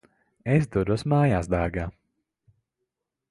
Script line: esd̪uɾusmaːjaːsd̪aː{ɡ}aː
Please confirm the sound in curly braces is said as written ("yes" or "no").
yes